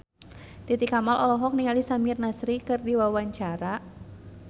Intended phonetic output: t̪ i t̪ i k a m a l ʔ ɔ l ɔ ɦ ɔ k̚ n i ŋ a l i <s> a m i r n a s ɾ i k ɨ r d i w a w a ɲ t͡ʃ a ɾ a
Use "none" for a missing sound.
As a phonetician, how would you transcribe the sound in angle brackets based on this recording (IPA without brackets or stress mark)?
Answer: s